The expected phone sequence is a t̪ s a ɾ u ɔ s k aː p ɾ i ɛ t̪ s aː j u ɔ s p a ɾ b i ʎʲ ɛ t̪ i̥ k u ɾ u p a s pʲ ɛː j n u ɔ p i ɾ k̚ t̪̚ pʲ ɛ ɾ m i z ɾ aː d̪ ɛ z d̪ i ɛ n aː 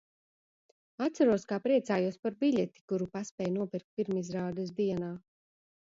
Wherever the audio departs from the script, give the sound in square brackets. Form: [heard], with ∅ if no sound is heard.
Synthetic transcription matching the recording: a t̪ s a ɾ u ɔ s k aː p ɾ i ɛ t̪ s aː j u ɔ s p a ɾ b i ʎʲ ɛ t̪ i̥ k u ɾ u p a s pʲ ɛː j n u ɔ p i ɾ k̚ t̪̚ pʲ [i] ɾ m i z ɾ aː d̪ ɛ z d̪ i ɛ n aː